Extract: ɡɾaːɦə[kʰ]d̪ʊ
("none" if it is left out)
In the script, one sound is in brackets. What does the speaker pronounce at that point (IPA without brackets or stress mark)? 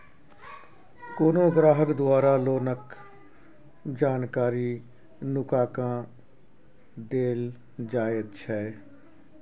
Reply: k